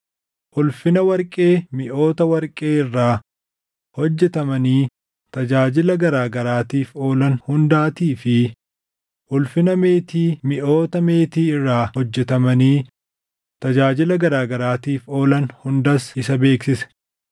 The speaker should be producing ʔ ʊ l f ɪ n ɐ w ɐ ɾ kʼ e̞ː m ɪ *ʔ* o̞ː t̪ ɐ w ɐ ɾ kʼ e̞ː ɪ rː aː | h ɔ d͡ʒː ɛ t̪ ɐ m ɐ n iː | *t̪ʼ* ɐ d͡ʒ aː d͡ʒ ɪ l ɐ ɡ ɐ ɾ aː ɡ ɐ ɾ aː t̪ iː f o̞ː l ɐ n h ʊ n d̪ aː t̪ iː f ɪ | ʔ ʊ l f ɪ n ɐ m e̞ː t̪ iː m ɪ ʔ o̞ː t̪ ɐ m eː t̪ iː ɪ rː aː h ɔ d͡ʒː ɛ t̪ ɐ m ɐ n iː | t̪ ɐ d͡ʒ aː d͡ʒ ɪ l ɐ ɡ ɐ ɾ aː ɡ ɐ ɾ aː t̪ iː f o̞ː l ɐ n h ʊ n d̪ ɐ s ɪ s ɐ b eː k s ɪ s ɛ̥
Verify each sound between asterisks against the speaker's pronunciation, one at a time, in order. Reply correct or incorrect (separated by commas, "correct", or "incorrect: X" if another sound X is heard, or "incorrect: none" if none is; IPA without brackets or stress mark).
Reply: correct, incorrect: t̪